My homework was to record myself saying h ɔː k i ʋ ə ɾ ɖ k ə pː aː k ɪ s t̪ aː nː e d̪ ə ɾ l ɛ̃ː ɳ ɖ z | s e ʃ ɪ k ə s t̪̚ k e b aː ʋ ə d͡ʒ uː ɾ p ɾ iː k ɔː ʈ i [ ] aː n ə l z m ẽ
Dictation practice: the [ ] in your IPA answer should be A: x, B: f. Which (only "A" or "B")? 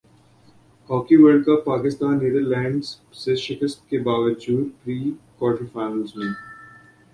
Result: B